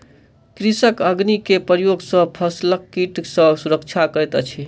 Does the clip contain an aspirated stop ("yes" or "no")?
yes